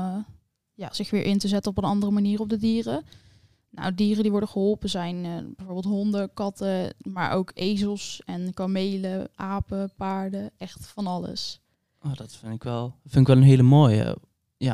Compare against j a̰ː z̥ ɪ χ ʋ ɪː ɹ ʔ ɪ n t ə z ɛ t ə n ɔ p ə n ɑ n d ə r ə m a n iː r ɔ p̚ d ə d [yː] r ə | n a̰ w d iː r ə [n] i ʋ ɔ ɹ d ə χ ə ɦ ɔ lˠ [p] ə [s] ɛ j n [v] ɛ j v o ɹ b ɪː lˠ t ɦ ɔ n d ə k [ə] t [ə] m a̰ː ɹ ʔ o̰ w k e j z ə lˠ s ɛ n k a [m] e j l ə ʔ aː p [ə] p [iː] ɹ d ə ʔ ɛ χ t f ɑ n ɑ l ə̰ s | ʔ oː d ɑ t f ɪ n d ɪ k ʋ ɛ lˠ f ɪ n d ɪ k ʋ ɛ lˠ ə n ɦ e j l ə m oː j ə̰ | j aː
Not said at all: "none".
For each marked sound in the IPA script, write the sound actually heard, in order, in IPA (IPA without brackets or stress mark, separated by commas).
iː, d, p, z, b, ɑ, ə, m, ə, aː